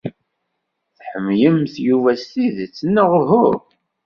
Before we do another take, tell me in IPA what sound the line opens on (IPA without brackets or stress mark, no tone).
θ